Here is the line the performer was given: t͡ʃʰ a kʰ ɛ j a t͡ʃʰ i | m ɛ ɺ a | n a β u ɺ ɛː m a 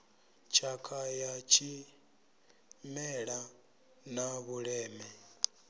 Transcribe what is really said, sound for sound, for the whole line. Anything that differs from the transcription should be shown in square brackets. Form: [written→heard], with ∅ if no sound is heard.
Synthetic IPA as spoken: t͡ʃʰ a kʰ [ɛ→a] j a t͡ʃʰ i | m ɛ ɺ a | n a β u ɺ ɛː m [a→ɛ]